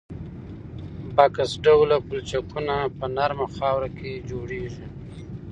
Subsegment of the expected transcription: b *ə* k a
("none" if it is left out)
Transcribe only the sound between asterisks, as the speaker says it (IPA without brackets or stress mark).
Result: a